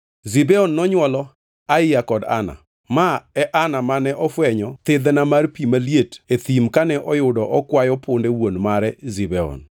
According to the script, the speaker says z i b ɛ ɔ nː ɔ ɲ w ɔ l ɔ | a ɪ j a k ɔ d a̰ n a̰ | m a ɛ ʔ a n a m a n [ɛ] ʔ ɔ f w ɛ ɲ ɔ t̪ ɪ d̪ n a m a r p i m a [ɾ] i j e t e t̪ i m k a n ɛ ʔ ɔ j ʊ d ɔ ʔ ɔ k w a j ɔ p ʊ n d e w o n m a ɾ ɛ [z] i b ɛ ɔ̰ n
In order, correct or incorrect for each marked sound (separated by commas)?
correct, incorrect, correct